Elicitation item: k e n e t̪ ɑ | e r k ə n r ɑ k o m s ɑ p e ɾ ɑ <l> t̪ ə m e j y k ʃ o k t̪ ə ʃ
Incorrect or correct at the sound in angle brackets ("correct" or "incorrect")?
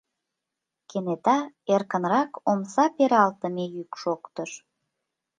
correct